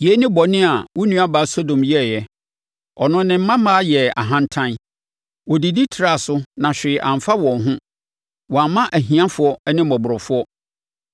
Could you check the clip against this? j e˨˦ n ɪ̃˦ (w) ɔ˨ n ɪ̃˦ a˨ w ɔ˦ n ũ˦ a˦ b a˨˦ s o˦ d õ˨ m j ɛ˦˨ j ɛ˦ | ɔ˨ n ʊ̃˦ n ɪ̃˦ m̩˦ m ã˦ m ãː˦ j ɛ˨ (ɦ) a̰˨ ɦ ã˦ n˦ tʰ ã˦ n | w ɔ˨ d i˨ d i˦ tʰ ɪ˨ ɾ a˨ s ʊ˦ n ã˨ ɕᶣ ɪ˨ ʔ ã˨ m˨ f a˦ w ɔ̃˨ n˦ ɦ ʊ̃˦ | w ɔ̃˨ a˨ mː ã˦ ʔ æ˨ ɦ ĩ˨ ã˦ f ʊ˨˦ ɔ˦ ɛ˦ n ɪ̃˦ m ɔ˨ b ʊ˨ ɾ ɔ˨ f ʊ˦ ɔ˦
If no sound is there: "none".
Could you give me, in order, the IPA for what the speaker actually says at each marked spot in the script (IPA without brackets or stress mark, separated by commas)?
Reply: b, none